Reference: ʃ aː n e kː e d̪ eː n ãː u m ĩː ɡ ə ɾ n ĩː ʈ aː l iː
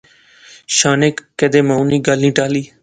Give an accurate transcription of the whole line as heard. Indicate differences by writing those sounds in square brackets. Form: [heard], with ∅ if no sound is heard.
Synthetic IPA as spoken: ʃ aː n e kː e d̪ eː [m] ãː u [n] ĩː ɡ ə [l] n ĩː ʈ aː l iː